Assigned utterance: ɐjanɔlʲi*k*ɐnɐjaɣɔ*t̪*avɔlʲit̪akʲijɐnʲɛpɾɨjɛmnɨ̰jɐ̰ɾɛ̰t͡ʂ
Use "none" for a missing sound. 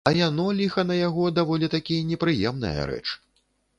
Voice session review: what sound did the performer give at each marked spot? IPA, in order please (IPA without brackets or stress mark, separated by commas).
x, d̪